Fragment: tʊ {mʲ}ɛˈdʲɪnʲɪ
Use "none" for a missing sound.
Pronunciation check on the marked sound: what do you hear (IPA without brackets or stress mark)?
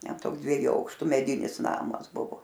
mʲ